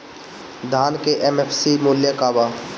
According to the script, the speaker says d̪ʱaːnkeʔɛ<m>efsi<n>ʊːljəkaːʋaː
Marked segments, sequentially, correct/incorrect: correct, incorrect: m

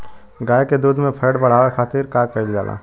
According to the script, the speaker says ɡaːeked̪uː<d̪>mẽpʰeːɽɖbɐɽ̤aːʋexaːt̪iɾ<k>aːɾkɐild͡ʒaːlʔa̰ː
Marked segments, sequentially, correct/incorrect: correct, correct

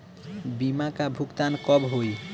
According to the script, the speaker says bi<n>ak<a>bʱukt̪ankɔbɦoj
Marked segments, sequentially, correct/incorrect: incorrect: m, correct

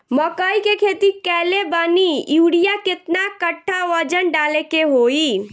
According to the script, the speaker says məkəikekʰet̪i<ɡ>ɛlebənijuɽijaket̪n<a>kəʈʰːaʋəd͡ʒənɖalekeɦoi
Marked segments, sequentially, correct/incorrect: incorrect: k, correct

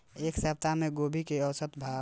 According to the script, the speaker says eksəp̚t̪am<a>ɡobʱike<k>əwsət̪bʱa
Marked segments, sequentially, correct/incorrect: incorrect: e, incorrect: none

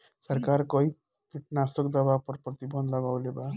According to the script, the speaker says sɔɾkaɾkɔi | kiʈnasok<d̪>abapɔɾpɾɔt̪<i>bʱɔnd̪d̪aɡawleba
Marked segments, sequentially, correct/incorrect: correct, correct

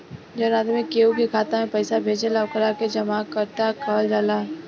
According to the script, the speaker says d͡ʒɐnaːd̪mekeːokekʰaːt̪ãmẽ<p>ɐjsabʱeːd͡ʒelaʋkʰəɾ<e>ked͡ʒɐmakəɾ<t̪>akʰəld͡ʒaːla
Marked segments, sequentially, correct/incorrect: correct, incorrect: a, correct

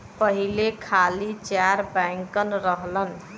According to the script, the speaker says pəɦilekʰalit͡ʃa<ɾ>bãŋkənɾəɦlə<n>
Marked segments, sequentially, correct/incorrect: correct, correct

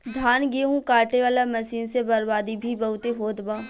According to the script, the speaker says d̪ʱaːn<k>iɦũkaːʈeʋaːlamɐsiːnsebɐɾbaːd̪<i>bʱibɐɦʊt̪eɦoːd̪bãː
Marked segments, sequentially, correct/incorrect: incorrect: ɡ, correct

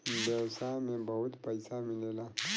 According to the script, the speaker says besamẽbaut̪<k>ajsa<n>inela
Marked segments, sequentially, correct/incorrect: incorrect: p, incorrect: m

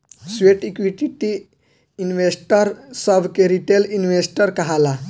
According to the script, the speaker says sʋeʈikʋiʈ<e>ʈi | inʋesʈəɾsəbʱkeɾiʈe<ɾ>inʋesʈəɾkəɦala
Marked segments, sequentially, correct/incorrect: incorrect: i, incorrect: l

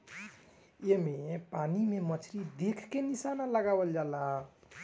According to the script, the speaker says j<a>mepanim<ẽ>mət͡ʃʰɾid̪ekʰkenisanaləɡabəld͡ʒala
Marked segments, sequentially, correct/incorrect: incorrect: e, incorrect: e

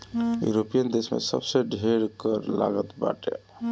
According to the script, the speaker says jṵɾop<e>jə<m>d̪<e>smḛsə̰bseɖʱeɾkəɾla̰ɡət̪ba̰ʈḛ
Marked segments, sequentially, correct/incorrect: incorrect: i, incorrect: n, correct

